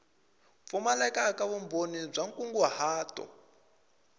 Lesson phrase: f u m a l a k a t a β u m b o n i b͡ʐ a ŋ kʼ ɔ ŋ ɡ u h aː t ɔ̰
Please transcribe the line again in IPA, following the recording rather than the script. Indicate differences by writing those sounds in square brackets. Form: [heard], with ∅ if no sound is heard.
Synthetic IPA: f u m a l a k a [k] a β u m b o n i b͡ʐ a ŋ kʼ [u] ŋ ɡ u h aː t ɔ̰